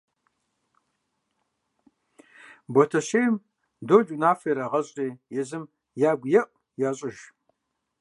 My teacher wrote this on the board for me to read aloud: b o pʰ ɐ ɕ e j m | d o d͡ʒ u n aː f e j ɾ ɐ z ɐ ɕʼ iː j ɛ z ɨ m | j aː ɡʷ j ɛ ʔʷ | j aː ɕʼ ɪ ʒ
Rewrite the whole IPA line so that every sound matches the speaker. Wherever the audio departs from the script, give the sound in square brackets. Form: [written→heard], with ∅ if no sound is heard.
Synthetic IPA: b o [pʰ→tʰ] ɐ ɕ e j m | d o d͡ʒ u n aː f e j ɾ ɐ [z→ʁ] ɐ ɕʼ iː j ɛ z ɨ m | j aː ɡʷ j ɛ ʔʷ | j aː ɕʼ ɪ ʒ

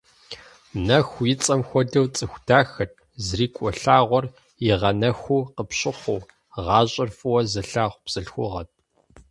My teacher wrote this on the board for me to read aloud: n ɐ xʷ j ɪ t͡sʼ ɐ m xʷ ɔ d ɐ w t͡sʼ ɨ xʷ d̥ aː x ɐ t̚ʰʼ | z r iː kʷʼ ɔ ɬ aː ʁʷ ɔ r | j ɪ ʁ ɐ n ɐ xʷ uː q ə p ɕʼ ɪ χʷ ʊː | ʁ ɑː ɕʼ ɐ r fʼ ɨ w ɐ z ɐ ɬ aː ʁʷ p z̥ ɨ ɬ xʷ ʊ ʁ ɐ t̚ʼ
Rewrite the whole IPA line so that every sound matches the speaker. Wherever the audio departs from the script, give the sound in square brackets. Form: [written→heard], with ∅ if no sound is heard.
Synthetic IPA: n ɐ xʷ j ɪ t͡sʼ ɐ m xʷ ɔ d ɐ w t͡sʼ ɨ xʷ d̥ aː x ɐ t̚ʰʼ | z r iː kʷʼ ɔ ɬ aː ʁʷ ɔ r | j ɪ ʁ ɐ n ɐ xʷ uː q ə p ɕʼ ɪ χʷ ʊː | ʁ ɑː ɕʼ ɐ r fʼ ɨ w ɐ z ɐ ɬ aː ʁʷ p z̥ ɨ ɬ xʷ ʊ ʁ ɐ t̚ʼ

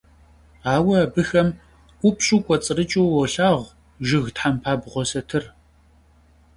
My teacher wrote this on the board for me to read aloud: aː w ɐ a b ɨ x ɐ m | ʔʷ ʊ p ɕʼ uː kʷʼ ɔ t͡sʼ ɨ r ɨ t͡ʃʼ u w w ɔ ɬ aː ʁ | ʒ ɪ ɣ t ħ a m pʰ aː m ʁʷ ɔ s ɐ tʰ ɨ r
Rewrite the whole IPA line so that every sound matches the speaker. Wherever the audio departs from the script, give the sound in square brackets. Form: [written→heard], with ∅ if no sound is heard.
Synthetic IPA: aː w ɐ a b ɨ x ɐ m | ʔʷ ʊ p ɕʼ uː kʷʼ ɔ t͡sʼ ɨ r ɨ t͡ʃʼ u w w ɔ ɬ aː ʁ | ʒ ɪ ɣ t ħ a m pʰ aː [m→b] ʁʷ ɔ s ɐ tʰ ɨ r

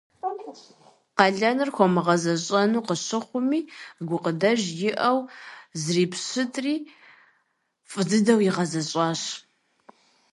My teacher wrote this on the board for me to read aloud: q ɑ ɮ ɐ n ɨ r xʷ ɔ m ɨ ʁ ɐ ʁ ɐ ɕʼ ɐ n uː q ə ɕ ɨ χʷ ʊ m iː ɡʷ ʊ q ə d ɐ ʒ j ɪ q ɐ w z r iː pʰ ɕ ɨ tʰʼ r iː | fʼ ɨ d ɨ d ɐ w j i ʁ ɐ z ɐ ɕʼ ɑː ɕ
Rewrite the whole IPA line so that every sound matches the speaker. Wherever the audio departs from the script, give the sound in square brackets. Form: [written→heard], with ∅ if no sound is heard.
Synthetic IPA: q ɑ ɮ ɐ n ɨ r xʷ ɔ m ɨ ʁ ɐ [ʁ→z] ɐ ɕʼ ɐ n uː q ə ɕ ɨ χʷ ʊ m iː ɡʷ ʊ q ə d ɐ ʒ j ɪ [q→ʔ] ɐ w z r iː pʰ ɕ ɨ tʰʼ r iː | fʼ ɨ d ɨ d ɐ w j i ʁ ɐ z ɐ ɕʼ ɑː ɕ

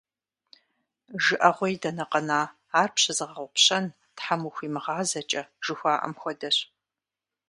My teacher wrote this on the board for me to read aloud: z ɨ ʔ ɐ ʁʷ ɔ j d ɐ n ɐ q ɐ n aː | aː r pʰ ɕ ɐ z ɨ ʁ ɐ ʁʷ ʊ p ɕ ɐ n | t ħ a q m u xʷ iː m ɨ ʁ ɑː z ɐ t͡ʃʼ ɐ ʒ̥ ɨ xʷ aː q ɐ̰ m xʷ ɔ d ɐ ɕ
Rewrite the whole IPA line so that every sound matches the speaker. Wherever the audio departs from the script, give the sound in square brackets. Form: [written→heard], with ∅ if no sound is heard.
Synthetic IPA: [z→ʒ] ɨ ʔ ɐ ʁʷ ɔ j d ɐ n ɐ q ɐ n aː | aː r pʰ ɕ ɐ z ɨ ʁ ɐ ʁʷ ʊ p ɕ ɐ n | t ħ a [q→∅] m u xʷ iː m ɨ ʁ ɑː z ɐ t͡ʃʼ ɐ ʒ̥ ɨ xʷ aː [q→ʔ] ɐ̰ m xʷ ɔ d ɐ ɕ

